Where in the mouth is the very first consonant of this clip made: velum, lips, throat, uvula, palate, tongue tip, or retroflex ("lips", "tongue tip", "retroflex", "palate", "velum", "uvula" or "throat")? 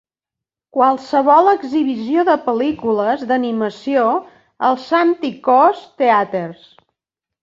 velum